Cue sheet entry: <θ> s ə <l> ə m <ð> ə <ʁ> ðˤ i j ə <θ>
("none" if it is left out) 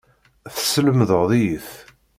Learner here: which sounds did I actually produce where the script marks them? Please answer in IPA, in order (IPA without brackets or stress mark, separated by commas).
θ, l, ð, ʁ, θ